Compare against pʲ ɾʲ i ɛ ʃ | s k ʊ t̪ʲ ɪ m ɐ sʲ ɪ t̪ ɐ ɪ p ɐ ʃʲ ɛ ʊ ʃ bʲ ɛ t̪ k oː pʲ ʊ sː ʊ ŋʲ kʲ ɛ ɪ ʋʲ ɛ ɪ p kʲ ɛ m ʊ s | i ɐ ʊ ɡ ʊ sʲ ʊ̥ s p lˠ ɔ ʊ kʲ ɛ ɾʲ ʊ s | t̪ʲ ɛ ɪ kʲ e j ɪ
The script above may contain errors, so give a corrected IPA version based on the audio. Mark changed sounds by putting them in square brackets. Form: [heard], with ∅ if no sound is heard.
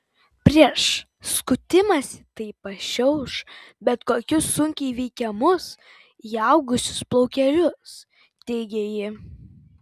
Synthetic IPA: pʲ ɾʲ i ɛ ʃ | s k ʊ t̪ʲ ɪ m ɐ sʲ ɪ t̪ ɐ ɪ p ɐ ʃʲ ɛ ʊ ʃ bʲ ɛ t̪ k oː [kʲ] ʊ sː ʊ ŋʲ kʲ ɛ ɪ ʋʲ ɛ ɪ [∅] kʲ ɛ m ʊ s | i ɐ ʊ ɡ ʊ sʲ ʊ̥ s p lˠ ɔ ʊ kʲ ɛ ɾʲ ʊ s | t̪ʲ ɛ ɪ [ɡʲ] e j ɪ